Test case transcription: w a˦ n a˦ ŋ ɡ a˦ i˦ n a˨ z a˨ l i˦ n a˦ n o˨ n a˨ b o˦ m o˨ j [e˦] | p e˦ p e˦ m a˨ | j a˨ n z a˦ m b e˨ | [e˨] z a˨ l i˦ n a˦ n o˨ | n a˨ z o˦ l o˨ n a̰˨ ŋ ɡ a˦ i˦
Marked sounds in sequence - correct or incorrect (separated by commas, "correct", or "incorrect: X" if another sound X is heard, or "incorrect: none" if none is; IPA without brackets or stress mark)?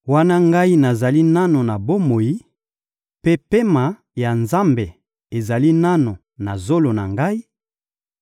incorrect: i˦, correct